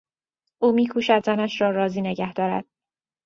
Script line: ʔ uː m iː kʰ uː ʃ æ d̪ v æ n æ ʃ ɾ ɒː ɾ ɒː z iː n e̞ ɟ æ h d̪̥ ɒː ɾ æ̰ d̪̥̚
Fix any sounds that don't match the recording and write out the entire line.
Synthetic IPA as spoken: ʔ uː m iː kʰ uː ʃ æ d̪ z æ n æ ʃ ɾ ɒː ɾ ɒː z iː n e̞ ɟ æ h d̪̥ ɒː ɾ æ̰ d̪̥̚